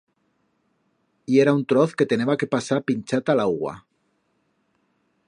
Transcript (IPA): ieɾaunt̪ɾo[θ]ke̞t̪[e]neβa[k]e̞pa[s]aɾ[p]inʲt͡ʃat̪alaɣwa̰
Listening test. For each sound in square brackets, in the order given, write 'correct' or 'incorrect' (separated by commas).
correct, correct, correct, correct, correct